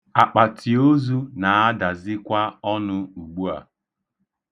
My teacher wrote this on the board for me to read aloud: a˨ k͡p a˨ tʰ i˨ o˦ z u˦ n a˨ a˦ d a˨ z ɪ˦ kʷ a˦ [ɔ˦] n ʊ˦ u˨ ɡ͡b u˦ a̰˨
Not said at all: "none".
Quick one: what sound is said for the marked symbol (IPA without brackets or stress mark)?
ɔ˦